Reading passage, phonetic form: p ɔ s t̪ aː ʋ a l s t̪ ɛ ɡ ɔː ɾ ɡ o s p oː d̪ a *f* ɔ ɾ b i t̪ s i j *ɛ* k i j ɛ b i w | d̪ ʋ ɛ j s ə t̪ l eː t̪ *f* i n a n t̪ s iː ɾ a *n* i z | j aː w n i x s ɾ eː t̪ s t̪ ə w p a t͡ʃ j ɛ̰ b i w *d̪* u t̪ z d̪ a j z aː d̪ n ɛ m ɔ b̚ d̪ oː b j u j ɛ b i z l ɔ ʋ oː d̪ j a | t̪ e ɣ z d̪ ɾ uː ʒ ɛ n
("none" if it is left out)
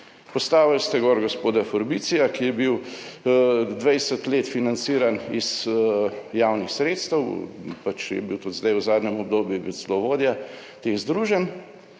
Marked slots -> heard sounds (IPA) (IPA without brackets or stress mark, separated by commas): f, a, f, n, t̪